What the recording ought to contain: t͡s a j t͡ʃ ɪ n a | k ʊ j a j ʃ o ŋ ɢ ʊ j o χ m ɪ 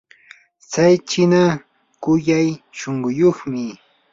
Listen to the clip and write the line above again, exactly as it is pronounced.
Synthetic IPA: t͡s a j t͡ʃ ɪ n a | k ʊ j a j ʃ o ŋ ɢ ʊ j o χ m ɪ

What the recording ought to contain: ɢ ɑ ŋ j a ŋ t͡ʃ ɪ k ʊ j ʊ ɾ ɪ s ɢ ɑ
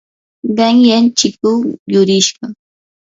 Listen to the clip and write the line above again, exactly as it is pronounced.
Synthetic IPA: ɢ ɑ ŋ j a n t͡ʃ ɪ k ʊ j ʊ ɾ ɪ ʃ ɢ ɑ

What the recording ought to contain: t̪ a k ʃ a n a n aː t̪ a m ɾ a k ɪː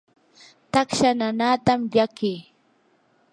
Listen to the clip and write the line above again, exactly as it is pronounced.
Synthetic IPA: t̪ a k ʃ a n a n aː t̪ a m ʎ a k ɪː

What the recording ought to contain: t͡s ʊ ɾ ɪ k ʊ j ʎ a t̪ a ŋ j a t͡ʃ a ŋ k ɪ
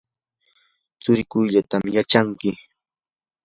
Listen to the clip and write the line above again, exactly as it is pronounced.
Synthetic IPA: t͡s ʊ ɾ ɪ k ʊ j ʎ a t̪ a m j a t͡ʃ a ŋ k ɪ

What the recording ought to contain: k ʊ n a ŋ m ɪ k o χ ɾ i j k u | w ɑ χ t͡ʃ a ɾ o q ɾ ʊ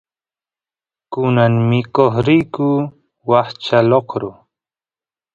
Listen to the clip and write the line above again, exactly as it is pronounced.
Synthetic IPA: k ʊ n a ŋ m ɪ k o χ ɾ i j k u | w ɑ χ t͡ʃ a l o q ɾ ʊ

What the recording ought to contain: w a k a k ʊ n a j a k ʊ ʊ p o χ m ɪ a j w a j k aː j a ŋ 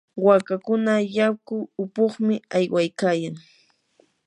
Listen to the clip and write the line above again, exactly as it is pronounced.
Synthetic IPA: w a k a k ʊ n a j a k ʊ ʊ p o χ m ɪ a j w a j k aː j a ŋ

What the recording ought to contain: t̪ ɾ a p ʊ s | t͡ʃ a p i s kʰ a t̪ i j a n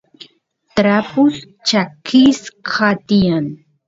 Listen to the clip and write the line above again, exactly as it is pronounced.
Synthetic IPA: t̪ ɾ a p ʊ s | t͡ʃ a k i s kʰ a t̪ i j a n

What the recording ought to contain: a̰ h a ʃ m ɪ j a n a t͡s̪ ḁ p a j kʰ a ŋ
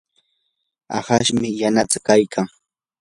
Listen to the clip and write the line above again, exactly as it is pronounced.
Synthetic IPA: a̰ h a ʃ m ɪ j a n a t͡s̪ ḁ k a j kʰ a ŋ

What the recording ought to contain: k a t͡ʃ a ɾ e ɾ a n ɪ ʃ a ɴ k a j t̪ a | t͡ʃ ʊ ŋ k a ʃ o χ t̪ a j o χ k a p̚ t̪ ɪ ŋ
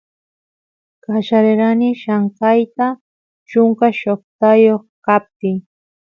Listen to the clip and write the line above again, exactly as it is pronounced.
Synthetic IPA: k a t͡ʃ a ɾ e ɾ a n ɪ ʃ a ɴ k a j t̪ a | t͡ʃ ʊ ŋ k a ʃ o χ t̪ a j o χ k a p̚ t̪ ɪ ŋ

